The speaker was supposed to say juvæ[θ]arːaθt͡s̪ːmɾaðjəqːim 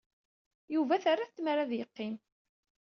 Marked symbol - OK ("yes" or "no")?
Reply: yes